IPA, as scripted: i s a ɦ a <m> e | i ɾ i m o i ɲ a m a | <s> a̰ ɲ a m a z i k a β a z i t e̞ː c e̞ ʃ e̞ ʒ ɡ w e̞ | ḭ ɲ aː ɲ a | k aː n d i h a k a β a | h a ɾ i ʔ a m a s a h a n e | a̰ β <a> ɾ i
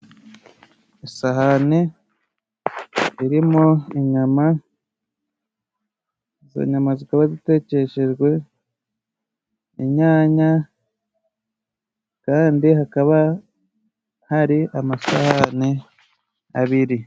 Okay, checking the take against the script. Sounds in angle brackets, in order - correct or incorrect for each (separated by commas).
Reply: incorrect, incorrect, incorrect